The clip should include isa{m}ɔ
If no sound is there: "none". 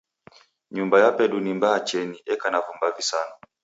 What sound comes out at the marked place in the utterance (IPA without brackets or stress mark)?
n